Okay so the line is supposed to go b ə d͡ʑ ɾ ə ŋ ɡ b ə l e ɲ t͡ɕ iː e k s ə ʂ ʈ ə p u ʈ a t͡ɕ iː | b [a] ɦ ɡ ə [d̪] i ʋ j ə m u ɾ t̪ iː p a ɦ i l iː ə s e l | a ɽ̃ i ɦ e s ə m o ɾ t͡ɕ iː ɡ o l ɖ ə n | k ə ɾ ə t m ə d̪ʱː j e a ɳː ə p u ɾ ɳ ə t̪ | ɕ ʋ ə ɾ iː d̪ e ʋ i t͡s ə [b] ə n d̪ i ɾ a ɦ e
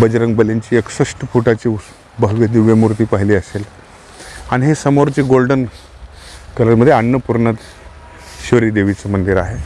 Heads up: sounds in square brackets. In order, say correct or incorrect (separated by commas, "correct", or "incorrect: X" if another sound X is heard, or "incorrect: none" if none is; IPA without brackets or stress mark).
incorrect: ə, correct, incorrect: m